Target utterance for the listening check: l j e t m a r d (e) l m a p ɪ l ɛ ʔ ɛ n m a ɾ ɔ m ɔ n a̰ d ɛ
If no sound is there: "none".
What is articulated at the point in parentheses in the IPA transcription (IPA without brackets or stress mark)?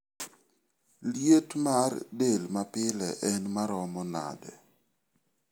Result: e